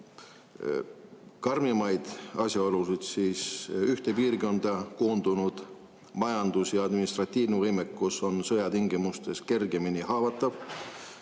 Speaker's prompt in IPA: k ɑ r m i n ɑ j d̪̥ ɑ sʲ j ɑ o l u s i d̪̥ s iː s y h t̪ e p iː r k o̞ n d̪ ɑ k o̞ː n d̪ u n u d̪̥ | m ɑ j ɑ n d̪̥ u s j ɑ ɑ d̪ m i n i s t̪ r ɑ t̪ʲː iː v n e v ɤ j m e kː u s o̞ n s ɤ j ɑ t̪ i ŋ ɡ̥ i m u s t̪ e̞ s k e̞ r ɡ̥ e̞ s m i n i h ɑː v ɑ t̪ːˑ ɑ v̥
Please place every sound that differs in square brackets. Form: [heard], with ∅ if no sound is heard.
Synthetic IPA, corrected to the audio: k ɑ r m i [m] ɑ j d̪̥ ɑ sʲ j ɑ o l u s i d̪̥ s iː s y h t̪ e p iː r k o̞ n d̪ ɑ k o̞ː n d̪ u n u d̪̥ | m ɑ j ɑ n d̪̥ u s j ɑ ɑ d̪ m i n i s t̪ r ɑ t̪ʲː iː v n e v ɤ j m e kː u s o̞ n s ɤ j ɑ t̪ i ŋ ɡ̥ i m u s t̪ e̞ s k e̞ r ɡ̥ e̞ [∅] m i n i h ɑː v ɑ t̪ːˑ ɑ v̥